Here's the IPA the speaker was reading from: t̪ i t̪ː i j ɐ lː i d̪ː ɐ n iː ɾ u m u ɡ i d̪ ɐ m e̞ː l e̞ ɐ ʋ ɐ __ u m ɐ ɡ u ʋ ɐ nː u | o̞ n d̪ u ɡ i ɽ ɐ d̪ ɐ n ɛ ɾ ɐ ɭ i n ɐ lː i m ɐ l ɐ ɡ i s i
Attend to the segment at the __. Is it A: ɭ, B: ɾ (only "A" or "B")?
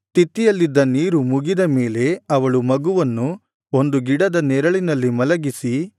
A